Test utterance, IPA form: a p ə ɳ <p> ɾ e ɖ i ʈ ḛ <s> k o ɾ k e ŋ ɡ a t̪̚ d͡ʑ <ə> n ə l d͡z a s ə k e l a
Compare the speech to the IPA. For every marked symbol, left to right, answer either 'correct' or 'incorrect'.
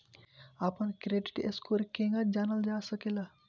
incorrect: k, correct, incorrect: a

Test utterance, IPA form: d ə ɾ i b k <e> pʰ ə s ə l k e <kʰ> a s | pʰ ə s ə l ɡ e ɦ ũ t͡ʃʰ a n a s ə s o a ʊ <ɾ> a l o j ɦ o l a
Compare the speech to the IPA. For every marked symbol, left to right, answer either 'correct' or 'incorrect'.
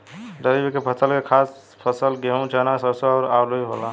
correct, correct, correct

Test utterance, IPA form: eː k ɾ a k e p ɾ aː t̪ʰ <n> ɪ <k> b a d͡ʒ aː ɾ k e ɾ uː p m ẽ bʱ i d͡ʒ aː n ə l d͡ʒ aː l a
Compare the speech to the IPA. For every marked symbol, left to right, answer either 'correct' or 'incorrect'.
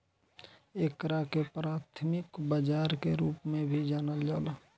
incorrect: m, correct

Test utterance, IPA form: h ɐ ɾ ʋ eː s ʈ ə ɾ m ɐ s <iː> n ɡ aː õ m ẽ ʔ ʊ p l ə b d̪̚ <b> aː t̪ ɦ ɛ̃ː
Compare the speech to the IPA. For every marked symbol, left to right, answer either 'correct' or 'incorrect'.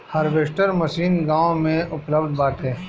correct, correct

